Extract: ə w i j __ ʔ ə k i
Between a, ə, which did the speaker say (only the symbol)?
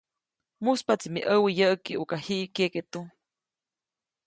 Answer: ə